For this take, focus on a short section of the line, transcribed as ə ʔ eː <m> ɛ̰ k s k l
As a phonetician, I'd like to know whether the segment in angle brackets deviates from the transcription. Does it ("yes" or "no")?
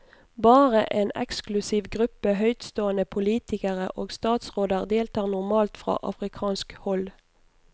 yes